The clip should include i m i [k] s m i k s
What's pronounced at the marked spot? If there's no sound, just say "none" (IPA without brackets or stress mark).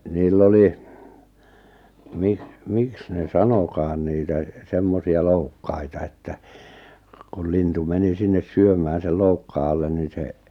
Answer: k